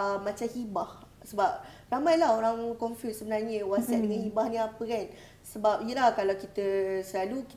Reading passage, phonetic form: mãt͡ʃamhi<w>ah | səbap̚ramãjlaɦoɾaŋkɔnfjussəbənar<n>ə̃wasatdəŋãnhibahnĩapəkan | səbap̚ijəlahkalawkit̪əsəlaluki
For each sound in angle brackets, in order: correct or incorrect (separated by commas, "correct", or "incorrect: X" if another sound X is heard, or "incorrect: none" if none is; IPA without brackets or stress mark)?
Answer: incorrect: b, incorrect: ɲ